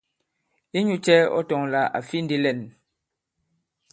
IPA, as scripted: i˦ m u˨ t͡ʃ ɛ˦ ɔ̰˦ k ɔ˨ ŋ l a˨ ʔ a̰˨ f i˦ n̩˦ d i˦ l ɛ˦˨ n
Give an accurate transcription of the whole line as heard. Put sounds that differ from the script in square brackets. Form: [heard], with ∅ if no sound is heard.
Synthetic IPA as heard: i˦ [ɲ] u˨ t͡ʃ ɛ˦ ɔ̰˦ [t] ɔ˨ ŋ l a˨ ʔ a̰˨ f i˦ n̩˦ d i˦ l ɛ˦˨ n